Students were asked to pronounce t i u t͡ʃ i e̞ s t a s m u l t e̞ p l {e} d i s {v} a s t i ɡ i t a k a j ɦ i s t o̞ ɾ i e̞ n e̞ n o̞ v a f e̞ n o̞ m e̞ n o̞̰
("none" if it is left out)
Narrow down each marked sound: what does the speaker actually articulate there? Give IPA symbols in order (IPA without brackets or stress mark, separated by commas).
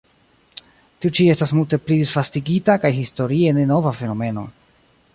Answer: i, f